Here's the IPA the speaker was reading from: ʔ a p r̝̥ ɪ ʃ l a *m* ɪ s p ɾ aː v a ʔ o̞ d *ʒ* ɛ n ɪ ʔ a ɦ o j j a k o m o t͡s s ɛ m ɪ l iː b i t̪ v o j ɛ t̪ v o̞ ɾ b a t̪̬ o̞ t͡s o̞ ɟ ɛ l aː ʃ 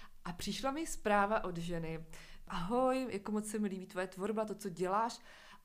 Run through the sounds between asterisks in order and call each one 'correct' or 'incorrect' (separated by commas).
correct, correct